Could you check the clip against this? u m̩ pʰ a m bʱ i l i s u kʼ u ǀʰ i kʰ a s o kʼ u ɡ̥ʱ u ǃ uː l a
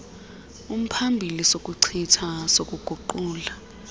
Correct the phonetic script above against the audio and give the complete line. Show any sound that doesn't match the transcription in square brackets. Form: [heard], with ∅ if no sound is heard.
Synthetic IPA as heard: u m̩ pʰ a m bʱ i l i s [o] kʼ u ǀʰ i [tʰ] a s o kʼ u ɡ̥ʱ u ǃ uː l a